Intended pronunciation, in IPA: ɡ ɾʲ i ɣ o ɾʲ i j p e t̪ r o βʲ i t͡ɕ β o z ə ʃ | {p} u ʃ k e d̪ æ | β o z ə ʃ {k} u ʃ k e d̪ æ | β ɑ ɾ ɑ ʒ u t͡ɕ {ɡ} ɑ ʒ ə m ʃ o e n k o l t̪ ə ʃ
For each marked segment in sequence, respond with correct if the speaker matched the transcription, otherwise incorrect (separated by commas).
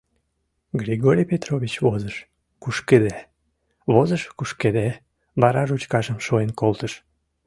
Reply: incorrect, correct, incorrect